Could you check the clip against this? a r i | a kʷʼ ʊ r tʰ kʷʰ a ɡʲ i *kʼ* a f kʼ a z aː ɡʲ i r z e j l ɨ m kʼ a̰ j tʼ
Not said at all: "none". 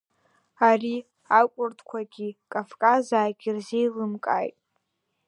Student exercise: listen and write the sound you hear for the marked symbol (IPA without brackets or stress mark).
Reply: kʼ